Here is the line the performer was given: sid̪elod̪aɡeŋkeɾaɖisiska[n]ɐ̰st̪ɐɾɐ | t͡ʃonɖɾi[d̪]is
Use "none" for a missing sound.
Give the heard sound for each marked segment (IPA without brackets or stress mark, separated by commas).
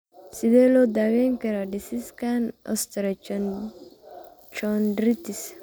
n, t̪